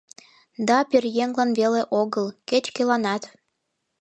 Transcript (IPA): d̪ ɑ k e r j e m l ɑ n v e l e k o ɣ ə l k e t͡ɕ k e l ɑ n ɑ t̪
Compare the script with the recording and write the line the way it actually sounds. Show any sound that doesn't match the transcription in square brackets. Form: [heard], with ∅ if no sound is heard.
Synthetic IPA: d̪ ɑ [p] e r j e [ŋ] l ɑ n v e l e [ʔ] o ɣ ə l k e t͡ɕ k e l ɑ n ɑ t̪